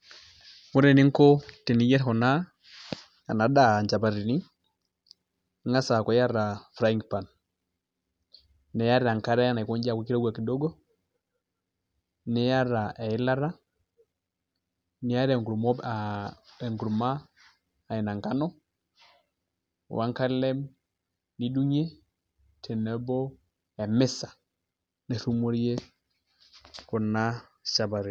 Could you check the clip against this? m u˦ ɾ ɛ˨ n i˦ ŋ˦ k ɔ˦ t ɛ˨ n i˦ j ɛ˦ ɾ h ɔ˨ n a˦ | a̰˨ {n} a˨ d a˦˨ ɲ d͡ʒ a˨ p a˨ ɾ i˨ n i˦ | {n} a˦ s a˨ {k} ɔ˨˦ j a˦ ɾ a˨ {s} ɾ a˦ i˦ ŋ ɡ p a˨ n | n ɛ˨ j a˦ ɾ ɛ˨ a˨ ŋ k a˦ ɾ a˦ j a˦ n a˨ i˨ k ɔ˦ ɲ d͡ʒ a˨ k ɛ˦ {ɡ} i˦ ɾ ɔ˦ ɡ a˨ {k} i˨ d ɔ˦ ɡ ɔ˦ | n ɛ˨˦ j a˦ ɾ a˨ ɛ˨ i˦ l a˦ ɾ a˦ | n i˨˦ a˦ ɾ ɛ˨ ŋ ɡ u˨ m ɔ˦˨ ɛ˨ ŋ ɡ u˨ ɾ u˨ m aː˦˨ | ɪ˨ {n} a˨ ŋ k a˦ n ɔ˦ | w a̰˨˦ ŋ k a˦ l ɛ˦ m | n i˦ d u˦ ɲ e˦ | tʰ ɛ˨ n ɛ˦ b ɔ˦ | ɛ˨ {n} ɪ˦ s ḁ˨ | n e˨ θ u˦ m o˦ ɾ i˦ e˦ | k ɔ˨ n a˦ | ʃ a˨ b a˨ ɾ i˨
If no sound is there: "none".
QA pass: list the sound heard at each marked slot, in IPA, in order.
n, ŋ, k, f, k, k, n, m

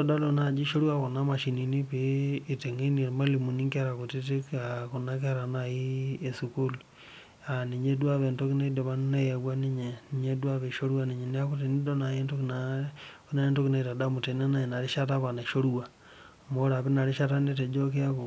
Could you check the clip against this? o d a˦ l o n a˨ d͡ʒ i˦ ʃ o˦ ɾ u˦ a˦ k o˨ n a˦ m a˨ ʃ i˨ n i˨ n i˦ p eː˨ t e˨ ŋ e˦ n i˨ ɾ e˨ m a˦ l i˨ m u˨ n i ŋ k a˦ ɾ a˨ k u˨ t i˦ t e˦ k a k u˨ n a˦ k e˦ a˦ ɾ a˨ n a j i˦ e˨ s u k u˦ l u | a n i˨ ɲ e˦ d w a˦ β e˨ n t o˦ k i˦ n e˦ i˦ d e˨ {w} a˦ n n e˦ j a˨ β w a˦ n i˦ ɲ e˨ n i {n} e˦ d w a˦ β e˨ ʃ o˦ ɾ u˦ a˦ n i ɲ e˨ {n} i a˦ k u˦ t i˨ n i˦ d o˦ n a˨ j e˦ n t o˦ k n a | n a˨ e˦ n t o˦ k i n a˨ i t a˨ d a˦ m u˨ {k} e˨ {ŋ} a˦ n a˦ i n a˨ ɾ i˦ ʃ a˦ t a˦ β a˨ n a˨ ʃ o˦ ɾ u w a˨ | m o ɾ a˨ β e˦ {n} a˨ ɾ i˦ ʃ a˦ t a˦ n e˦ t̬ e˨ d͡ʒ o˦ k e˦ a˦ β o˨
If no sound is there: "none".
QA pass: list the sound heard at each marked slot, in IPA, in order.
β, ɲ, n, t, n, n

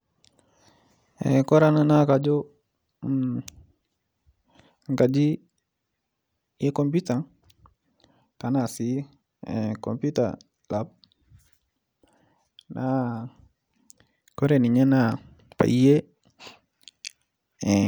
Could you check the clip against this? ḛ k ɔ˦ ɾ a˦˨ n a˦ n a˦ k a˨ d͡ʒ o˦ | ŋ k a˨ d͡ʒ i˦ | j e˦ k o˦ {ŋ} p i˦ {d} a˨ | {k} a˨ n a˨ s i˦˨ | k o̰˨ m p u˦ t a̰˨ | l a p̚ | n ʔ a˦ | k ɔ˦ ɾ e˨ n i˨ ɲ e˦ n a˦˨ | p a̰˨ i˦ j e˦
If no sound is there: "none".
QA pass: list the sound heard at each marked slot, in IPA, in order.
m, t, k

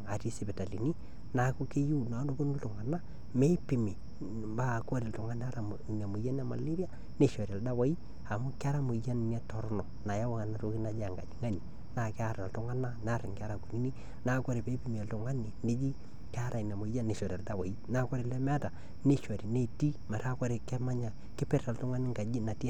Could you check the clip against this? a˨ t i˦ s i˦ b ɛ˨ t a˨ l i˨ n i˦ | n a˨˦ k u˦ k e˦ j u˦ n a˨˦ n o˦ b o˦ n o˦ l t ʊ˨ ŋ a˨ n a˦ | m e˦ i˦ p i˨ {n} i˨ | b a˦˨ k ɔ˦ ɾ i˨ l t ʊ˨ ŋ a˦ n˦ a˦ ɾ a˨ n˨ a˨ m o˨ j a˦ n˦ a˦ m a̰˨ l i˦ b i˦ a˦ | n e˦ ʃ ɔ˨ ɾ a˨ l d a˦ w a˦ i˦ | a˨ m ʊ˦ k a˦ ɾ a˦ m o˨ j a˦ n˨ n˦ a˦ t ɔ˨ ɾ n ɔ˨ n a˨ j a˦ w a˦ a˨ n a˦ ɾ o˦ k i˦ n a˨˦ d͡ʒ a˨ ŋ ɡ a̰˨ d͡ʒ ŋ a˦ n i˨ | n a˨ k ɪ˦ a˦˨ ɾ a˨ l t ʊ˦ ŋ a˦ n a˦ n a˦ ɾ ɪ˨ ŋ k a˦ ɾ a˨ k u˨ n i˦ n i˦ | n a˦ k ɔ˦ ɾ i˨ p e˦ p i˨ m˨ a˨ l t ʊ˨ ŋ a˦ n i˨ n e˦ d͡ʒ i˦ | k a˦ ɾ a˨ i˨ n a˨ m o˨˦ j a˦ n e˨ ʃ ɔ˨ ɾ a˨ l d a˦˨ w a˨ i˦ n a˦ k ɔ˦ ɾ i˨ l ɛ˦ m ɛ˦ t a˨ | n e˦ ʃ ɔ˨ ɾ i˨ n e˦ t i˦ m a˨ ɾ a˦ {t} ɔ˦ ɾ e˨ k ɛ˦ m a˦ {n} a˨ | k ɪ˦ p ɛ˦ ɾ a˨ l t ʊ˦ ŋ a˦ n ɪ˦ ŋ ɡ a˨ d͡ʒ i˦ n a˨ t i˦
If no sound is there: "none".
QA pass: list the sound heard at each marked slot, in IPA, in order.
m, k, ɲ

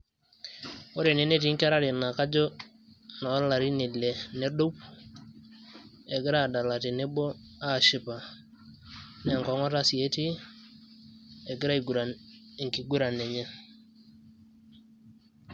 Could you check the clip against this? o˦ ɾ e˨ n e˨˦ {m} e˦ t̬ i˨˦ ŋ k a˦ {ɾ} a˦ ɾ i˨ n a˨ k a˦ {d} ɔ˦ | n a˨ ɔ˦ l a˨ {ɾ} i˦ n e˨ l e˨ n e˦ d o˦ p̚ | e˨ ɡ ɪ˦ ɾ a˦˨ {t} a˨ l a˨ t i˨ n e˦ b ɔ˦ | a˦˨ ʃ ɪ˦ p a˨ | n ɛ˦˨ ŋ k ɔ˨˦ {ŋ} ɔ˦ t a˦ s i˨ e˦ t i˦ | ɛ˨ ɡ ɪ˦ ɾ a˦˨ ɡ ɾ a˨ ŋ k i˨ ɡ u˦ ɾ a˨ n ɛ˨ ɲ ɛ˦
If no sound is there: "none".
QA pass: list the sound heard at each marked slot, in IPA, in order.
n, ɾ, d͡ʒ, ɾ, d, ŋ

